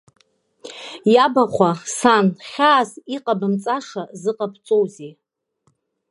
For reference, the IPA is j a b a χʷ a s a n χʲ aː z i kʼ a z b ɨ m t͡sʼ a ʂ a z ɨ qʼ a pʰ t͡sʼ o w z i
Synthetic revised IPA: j a b a χʷ a s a n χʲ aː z i qʼ a b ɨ m t͡sʼ a ʂ a z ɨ qʼ a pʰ t͡sʼ o w z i

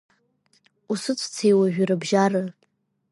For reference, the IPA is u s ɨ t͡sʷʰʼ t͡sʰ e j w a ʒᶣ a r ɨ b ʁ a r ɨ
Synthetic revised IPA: u s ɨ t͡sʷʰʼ t͡sʰ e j w a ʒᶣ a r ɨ b ʒ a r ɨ

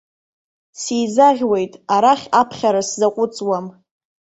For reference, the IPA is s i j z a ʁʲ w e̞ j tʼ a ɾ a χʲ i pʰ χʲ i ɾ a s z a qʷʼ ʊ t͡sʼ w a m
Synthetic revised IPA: s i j z a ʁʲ w e̞ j tʼ a ɾ a χʲ a pʰ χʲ a ɾ a s z a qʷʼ ʊ t͡sʼ w a m

